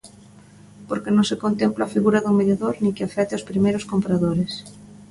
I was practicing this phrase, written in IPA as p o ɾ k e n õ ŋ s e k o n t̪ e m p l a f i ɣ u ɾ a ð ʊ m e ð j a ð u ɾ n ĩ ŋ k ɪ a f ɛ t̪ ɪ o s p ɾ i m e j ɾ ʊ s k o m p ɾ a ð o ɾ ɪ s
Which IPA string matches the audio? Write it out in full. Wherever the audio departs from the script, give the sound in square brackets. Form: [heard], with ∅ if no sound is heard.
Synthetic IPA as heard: p o ɾ k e n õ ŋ s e k o n t̪ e m p l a f i ɣ u ɾ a ð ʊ m e ð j a ð [o] ɾ n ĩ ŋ k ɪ a f ɛ t̪ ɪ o s p ɾ i m e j ɾ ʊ s k o m p ɾ a ð o ɾ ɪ s